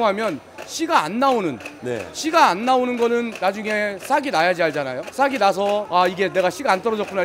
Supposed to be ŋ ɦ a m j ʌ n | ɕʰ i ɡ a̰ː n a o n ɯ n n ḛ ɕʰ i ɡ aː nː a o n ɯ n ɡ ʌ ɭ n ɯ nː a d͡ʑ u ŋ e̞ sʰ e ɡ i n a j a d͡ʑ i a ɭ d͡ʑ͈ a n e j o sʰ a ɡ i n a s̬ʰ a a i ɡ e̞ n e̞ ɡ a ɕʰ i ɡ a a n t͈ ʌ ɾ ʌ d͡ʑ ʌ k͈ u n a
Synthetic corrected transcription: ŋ ɦ a m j ʌ n | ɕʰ i ɡ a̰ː nː a o n ɯ n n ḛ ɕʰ i ɡ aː nː a o n ɯ n ɡ ʌ n ɯ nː a d͡ʑ u ŋ e̞ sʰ a ɡ i n a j a d͡ʑ i a ɭ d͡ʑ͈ a n a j o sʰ a ɡ i n a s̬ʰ ʌ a i ɡ e̞ n e̞ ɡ a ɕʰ i ɡ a a n t͈ ʌ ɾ ʌ d͡ʑ ʌ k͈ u n a